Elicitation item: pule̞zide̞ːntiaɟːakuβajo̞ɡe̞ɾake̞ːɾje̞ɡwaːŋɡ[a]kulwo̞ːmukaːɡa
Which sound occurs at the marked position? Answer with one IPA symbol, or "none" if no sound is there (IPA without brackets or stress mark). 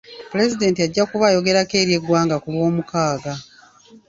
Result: a